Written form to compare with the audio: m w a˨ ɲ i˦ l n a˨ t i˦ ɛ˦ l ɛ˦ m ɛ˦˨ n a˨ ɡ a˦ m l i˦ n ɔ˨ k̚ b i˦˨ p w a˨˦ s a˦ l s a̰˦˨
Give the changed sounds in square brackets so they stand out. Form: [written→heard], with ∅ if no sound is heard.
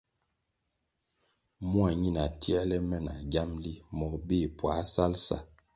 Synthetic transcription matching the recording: m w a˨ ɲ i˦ [l→∅] n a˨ t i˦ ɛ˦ l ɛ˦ m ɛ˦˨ n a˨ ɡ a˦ m l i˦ [n→m] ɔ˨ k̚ b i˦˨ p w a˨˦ s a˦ l s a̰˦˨